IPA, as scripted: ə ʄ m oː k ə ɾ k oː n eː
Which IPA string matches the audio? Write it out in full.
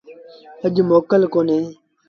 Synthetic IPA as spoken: ə ʄ m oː k ə l k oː n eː